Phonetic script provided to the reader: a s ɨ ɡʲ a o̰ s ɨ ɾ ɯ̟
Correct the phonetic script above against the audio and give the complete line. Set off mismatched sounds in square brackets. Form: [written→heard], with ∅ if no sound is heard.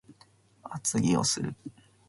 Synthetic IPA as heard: a [s→t͡s] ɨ ɡʲ [a→i] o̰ s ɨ ɾ ɯ̟